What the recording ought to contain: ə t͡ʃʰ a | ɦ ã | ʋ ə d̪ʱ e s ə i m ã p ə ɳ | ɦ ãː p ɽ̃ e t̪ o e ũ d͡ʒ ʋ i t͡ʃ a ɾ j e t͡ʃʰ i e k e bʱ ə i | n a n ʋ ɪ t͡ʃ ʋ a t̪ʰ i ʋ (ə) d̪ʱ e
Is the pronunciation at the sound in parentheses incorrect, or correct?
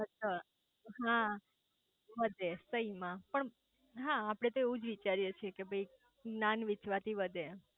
correct